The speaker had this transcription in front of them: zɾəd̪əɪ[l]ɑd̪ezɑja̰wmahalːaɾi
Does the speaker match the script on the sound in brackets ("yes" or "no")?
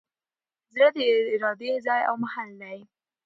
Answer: no